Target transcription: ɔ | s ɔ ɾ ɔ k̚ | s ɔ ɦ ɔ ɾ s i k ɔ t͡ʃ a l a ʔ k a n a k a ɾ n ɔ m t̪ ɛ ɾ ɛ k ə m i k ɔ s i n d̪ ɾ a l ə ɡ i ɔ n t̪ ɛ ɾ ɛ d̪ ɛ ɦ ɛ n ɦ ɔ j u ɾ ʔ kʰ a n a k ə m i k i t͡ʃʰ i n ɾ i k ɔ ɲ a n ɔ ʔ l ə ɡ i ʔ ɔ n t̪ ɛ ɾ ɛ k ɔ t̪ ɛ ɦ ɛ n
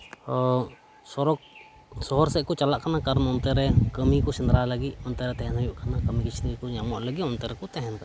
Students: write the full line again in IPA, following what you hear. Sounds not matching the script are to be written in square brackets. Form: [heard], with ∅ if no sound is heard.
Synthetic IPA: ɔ | s ɔ ɾ ɔ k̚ | s ɔ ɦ ɔ ɾ s [ɛ] k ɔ t͡ʃ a l a ʔ k a n a k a ɾ n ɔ [n] t̪ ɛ ɾ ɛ k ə m i k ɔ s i n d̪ ɾ a l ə ɡ i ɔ n t̪ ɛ ɾ ɛ [t̪] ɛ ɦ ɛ n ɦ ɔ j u [∅] ʔ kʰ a n a k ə m i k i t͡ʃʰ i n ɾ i k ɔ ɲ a [m] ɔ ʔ l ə ɡ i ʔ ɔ n t̪ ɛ ɾ ɛ k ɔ t̪ ɛ ɦ ɛ n